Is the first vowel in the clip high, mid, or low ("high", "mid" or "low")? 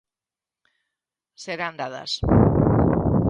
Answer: mid